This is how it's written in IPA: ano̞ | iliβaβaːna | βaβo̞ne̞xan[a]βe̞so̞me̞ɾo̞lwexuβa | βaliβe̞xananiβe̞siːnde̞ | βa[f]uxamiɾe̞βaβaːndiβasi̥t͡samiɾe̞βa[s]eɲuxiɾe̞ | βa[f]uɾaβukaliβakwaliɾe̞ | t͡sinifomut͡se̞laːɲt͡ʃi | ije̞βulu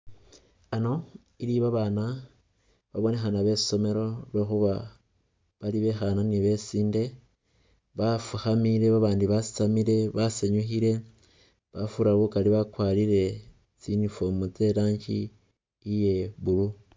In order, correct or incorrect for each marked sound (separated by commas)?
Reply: correct, correct, correct, correct